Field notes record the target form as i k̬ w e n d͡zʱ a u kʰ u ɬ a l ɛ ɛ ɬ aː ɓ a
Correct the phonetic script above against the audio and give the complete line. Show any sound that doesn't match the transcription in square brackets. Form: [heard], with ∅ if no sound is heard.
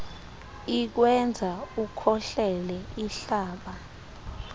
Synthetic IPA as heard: i k̬ w [ɛ] n d͡zʱ a u kʰ [ɔ] ɬ [ɛ] l ɛ [i] ɬ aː ɓ a